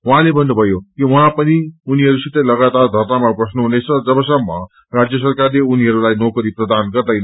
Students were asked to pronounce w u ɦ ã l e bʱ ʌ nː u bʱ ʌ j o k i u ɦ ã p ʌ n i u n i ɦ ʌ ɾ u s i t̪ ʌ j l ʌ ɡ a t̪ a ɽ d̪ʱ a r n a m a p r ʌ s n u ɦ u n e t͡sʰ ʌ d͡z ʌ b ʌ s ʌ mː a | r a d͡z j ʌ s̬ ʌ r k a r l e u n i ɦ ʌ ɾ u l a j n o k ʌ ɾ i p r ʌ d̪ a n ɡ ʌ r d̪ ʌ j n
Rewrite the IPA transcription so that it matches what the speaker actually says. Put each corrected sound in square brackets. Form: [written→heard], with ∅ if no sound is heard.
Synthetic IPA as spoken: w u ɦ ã l e bʱ ʌ nː u bʱ ʌ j o k i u ɦ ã p ʌ n i u n i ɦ ʌ ɾ u s i t̪ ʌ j l ʌ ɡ a t̪ a [ɽ→r] d̪ʱ [a→ʌ] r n a m a p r ʌ s n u ɦ u n e t͡sʰ ʌ d͡z ʌ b ʌ s ʌ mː [a→ʌ] | r a d͡z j ʌ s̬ ʌ r k a r l e u n i ɦ ʌ ɾ u l a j n o k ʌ ɾ i p r ʌ d̪ a n ɡ ʌ r d̪ ʌ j n